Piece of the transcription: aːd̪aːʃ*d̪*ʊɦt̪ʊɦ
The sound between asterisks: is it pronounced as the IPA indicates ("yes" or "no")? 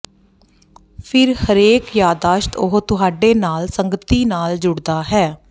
no